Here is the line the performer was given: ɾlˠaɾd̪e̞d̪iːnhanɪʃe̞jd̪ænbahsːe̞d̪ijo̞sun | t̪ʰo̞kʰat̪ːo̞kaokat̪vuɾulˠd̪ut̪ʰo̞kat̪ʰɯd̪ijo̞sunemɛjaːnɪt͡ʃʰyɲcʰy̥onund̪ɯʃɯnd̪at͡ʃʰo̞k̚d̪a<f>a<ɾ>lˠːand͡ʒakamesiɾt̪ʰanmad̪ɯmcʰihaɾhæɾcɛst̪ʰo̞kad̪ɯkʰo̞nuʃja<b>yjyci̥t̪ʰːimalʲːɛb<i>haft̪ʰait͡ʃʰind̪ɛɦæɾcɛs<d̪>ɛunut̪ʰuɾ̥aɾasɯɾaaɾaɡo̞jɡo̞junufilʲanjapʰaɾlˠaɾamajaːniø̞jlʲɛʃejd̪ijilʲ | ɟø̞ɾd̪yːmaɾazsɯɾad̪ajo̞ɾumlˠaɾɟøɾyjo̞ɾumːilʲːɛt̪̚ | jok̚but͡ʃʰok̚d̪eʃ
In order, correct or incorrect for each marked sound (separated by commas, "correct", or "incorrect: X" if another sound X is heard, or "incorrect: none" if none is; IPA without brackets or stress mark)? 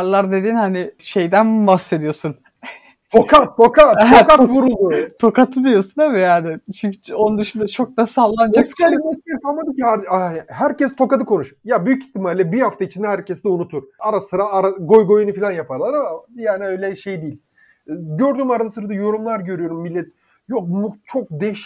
incorrect: s, incorrect: l, correct, correct, correct